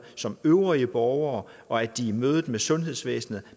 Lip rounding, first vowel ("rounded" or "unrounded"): rounded